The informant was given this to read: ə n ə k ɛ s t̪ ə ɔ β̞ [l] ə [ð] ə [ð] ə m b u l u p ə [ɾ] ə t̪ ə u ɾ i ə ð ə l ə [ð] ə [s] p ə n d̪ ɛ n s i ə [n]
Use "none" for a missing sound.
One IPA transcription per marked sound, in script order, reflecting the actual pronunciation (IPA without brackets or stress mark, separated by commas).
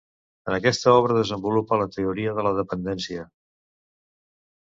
ɾ, ð, z, l, ð, none, none